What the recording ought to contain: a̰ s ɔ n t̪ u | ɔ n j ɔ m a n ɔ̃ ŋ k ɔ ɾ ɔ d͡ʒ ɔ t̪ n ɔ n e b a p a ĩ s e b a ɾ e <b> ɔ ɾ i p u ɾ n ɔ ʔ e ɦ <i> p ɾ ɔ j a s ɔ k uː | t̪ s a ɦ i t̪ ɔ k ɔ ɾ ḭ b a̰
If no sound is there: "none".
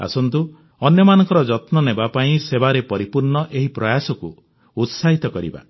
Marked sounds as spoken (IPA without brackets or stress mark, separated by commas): p, i